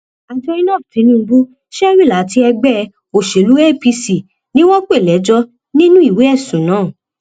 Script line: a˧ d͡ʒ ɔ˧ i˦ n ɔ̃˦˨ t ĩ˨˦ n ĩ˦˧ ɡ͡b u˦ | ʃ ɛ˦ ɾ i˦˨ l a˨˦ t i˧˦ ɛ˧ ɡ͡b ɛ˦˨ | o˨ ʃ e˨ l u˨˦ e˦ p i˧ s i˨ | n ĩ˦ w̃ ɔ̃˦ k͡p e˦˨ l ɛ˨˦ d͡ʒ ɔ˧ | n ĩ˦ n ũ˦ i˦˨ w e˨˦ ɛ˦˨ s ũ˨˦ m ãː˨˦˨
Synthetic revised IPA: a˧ d͡ʒ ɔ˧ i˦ n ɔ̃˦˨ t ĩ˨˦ n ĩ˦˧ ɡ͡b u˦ | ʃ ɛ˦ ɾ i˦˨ l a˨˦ t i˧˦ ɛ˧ ɡ͡b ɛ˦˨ | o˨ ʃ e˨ l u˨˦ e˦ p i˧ s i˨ | n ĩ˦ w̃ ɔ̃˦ k͡p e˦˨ l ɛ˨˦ d͡ʒ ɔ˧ | n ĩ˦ n ũ˦ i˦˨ w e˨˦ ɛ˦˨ s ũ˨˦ n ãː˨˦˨